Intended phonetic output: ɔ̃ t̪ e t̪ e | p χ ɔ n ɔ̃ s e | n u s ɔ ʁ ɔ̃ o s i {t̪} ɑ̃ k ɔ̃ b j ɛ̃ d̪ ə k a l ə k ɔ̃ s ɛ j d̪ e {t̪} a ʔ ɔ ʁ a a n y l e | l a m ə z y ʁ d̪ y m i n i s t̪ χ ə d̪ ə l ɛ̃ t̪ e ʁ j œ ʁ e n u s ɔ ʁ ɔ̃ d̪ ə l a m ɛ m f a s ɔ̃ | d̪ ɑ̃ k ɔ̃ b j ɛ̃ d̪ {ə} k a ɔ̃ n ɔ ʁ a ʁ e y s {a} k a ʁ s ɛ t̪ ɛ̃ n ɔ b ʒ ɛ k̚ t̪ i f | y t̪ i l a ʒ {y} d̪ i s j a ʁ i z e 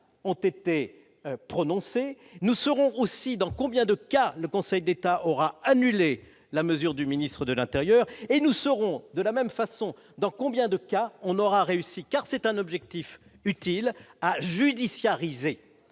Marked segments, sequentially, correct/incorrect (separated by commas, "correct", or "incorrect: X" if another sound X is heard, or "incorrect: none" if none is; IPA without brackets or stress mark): incorrect: d̪, correct, correct, incorrect: i, correct